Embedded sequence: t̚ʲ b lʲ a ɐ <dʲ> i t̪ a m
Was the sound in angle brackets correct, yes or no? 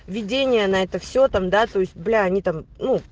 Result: no